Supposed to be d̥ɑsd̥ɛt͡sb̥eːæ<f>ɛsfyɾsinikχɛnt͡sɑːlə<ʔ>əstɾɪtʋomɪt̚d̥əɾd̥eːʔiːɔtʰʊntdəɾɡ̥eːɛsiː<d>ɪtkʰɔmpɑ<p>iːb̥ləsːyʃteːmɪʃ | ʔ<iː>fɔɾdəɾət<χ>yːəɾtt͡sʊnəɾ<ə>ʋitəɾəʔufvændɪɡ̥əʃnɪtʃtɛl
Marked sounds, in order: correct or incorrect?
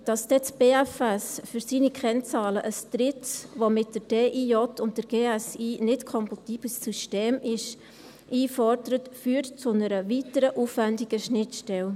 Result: correct, correct, incorrect: n, incorrect: t, correct, incorrect: f, correct

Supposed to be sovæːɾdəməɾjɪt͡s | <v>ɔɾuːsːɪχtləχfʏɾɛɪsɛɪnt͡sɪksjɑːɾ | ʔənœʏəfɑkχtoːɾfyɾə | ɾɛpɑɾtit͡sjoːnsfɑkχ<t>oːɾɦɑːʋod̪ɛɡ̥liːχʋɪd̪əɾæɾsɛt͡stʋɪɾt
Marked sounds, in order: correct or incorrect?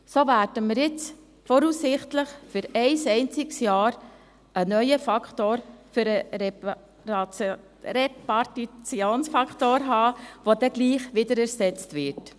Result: incorrect: f, correct

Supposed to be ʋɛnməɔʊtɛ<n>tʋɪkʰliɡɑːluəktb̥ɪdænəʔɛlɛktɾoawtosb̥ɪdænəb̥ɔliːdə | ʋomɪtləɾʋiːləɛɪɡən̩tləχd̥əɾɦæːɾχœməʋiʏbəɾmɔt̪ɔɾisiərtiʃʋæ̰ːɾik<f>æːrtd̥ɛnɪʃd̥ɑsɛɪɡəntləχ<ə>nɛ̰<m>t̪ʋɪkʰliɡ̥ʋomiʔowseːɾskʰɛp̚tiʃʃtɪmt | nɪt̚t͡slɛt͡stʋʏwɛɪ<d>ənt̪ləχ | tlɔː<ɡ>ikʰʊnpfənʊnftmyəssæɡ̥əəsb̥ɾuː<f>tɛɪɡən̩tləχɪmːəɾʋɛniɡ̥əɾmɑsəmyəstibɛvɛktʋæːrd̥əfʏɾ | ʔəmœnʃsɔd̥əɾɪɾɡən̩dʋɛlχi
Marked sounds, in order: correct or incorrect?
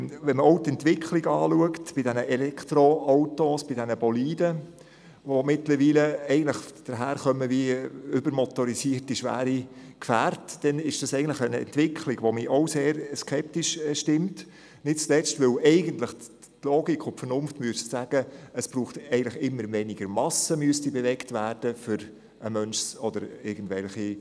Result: correct, correct, correct, incorrect: n, incorrect: ɡ, correct, incorrect: χ

